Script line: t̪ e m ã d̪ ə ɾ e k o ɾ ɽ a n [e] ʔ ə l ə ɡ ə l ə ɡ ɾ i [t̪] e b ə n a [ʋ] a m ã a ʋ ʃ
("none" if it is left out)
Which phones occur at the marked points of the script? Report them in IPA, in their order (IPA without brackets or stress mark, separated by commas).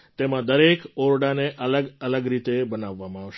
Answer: e, t̪, ʋː